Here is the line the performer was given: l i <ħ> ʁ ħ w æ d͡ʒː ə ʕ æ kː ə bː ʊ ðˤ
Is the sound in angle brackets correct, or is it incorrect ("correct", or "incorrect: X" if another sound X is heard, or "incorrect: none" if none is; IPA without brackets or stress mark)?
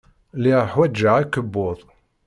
incorrect: none